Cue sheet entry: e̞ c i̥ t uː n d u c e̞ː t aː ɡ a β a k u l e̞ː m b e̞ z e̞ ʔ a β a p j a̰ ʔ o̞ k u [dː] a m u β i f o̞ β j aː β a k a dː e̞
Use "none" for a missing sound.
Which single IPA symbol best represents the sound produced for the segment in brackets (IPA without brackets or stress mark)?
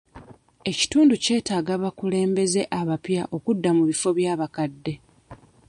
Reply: dː